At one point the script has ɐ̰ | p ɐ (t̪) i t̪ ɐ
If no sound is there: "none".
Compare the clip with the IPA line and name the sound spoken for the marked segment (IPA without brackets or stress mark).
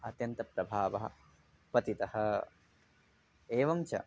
t̪